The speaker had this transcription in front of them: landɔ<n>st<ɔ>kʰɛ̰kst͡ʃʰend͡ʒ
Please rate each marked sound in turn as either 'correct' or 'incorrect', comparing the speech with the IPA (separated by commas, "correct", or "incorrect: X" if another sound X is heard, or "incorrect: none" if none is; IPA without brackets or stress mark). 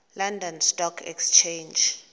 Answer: correct, correct